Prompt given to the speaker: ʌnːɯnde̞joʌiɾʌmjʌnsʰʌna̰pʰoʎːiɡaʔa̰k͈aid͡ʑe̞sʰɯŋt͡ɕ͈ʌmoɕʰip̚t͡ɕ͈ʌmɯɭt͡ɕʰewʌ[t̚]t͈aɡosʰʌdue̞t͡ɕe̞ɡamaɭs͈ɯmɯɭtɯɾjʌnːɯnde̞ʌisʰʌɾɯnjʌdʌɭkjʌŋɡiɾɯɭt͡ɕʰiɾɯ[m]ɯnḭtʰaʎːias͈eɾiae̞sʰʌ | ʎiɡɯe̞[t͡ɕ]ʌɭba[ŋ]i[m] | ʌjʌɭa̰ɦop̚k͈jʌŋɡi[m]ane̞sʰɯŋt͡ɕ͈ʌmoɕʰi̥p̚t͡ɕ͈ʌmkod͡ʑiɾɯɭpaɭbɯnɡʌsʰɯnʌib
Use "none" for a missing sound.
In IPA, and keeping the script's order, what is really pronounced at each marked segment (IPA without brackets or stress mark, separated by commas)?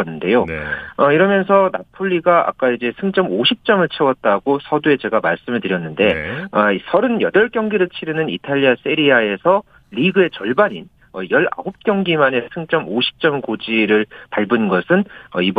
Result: t̚, n, t͡ɕ, ɲ, n, m